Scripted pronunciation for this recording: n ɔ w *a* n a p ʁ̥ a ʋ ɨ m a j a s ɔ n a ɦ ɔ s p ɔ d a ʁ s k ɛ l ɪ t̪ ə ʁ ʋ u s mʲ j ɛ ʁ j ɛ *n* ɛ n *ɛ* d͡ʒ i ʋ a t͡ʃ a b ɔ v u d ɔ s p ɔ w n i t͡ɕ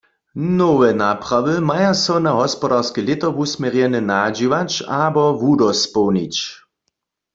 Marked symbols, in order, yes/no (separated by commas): no, yes, no